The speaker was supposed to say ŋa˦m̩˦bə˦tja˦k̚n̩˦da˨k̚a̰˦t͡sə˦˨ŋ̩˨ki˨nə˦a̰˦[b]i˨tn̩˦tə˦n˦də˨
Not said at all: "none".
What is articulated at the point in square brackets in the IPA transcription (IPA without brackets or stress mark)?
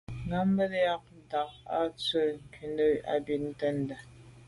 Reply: b